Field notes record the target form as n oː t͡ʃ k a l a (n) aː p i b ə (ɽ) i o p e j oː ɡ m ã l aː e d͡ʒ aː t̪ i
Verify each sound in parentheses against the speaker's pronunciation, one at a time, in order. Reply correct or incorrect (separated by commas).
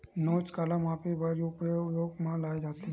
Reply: incorrect, incorrect